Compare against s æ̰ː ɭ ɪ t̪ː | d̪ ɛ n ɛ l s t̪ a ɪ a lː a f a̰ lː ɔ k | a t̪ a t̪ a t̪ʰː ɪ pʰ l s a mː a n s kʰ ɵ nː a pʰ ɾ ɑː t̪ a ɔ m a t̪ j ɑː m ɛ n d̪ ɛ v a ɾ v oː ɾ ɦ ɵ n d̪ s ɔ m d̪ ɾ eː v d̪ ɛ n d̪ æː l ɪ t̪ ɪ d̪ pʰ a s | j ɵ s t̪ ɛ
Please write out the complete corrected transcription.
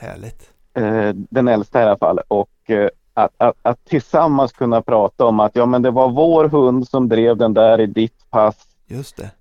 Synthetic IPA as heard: h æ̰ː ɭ ɪ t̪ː | d̪ ɛ n ɛ l s t̪ a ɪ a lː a f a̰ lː ɔ k | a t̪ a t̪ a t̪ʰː ɪ l s a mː a n s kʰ ɵ nː a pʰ ɾ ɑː t̪ a ɔ m a t̪ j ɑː m ɛ n d̪ ɛ v a ɾ v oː ɾ ɦ ɵ n d̪ s ɔ m d̪ ɾ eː v d̪ ɛ n d̪ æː ɾ ɪ d̪ ɪ t̪ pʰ a s | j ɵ s t̪ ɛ